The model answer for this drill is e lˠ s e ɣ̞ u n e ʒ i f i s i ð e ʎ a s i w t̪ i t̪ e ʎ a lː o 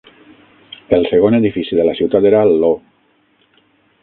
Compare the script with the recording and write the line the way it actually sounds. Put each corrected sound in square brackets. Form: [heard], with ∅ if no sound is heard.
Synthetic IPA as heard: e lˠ s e ɣ̞ [o] n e [ð] i f i s i ð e [l] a s i w t̪ [a] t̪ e [ɾ] a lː o